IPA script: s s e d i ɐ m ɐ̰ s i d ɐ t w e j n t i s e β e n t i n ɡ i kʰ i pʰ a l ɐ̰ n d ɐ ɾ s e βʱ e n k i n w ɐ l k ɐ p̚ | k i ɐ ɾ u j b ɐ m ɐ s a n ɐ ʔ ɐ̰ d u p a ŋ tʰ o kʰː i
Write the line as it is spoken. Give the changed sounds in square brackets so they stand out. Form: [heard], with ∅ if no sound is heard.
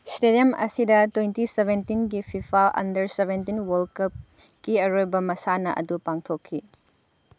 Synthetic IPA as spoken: s [t] e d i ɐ m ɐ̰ s i d ɐ t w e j n t i s e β e n t i n ɡ i [pʰ] i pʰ a l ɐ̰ n d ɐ ɾ s e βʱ e n [t] i n w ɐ l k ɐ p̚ | k i ɐ ɾ [o] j b ɐ m ɐ s a n ɐ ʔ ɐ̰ d u p a ŋ tʰ o kʰː i